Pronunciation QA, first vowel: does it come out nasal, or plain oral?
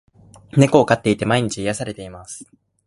oral